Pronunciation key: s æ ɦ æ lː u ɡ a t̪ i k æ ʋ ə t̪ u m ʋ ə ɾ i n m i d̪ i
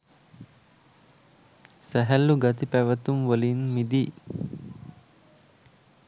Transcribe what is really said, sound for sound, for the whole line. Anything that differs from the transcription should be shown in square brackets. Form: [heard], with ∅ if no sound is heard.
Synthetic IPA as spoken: s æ ɦ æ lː u ɡ a t̪ i [p] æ ʋ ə t̪ u m ʋ ə [l] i n m i d̪ i